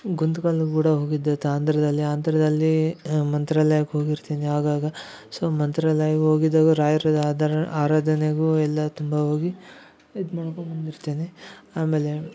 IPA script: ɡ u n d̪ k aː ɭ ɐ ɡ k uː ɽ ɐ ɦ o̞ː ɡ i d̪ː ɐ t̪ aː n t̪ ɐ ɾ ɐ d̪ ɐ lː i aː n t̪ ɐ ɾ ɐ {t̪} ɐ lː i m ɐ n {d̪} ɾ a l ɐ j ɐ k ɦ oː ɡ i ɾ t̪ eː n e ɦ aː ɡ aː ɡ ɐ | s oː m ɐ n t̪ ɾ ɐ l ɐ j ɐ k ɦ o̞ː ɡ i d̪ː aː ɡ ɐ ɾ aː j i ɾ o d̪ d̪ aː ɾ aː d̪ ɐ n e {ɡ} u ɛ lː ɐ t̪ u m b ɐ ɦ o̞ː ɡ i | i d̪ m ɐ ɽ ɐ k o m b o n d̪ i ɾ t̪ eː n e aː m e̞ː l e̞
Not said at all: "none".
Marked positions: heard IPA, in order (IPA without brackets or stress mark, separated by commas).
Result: d̪, t̪, ɡ